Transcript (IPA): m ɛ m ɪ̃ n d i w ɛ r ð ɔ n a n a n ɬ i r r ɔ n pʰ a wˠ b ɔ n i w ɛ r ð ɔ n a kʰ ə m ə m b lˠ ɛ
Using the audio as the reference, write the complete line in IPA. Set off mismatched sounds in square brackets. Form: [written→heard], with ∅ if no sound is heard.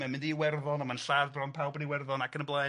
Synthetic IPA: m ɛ m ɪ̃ n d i w ɛ r ð ɔ n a [n→m] a n ɬ [i→a] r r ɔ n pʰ a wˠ b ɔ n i w ɛ r ð ɔ n a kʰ ə [m→n] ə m b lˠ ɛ